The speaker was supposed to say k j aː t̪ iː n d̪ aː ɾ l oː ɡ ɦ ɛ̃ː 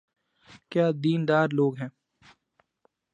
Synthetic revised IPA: k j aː d̪ iː n d̪ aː ɾ l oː ɡ ɦ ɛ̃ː